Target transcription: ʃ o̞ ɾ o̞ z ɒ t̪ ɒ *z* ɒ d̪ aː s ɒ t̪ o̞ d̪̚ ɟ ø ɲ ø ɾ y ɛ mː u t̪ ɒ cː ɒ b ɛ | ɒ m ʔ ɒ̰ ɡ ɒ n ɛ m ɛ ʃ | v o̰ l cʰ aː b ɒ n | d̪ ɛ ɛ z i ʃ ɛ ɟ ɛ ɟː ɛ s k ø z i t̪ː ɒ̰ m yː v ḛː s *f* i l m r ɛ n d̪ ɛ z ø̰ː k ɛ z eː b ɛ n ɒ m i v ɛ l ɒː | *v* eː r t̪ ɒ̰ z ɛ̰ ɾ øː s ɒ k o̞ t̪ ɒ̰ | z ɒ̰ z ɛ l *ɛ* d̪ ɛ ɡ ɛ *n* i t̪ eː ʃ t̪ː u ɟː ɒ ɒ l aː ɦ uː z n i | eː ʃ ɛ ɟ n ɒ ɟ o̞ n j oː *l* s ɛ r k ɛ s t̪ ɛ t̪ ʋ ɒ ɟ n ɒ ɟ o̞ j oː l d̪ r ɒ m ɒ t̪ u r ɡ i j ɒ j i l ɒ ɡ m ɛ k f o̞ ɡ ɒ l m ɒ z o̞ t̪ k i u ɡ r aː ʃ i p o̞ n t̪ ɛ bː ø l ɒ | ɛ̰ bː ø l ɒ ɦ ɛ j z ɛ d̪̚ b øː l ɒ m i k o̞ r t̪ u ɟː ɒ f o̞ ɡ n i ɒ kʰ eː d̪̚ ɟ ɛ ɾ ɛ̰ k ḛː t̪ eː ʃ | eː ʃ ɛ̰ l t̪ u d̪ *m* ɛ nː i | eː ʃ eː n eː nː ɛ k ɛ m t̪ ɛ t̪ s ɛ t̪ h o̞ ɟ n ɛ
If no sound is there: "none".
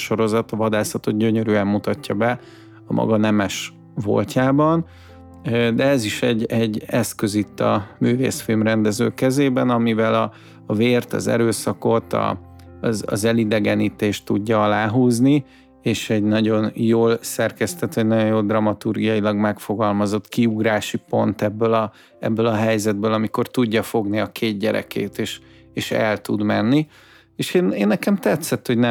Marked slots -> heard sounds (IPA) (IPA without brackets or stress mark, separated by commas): v, f, v, i, n, l, m